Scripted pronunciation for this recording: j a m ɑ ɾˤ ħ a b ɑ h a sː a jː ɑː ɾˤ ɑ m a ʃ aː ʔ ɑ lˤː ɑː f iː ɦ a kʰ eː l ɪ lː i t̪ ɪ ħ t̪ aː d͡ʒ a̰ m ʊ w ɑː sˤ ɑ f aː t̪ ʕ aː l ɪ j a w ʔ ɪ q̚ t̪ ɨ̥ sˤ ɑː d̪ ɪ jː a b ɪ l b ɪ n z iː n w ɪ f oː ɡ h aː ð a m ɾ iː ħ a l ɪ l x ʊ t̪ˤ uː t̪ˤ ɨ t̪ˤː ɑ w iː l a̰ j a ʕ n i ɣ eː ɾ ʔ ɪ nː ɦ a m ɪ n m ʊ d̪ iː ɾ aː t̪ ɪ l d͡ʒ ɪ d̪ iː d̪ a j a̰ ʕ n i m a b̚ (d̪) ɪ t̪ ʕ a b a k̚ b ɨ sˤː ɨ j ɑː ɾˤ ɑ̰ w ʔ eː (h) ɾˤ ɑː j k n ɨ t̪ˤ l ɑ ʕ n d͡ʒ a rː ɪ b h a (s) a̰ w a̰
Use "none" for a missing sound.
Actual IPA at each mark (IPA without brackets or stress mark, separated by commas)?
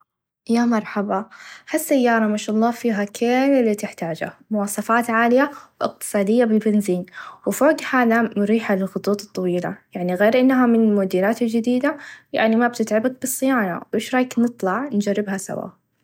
t̪, ʃ, s